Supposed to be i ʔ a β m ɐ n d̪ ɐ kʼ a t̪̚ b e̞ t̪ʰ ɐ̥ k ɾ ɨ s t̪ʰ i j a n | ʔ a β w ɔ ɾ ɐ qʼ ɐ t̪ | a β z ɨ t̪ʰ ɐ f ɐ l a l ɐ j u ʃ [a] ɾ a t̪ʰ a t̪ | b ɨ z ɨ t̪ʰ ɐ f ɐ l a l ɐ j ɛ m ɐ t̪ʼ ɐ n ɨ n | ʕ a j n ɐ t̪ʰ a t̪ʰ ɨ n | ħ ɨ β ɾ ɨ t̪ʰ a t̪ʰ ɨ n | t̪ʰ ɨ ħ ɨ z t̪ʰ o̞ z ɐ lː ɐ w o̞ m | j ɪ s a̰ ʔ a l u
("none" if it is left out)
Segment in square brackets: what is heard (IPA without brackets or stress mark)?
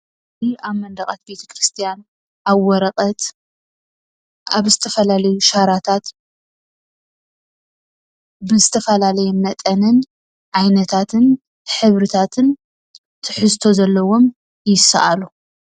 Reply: a